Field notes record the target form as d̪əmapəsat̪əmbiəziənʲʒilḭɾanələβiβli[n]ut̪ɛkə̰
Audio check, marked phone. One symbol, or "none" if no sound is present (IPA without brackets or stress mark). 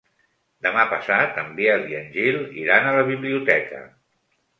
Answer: none